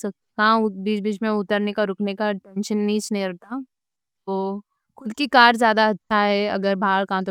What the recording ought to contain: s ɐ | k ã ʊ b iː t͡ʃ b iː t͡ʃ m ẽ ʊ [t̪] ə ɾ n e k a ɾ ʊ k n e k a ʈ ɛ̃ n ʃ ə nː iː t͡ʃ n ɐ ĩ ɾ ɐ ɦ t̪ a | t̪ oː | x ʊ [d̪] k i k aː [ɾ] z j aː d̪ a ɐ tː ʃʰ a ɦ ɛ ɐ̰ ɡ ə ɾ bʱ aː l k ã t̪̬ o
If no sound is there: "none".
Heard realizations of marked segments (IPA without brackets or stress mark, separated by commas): t̪, d̪, ɾ